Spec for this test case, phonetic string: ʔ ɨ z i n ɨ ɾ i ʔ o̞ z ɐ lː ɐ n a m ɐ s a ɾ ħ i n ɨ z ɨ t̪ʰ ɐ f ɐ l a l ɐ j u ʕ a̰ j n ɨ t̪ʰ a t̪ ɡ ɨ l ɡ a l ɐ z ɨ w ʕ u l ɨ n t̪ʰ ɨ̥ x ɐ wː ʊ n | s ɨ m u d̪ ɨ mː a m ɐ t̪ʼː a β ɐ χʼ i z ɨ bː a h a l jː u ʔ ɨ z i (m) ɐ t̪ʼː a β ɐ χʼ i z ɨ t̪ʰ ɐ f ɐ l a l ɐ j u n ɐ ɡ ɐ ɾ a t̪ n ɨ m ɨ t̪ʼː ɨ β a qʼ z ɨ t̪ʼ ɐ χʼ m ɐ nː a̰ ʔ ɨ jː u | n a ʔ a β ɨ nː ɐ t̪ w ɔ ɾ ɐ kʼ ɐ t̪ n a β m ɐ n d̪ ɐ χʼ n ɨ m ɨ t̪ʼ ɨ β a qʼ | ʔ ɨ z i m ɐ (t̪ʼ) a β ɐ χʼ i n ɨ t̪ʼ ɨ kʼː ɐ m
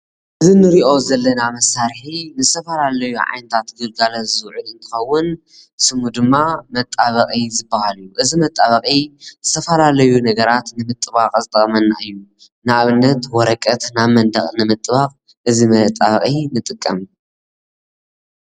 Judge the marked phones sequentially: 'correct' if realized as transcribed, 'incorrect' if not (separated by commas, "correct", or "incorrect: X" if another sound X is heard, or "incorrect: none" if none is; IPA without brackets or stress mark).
correct, correct